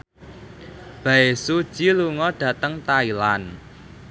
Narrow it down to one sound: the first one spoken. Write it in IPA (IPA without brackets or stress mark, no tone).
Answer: b̥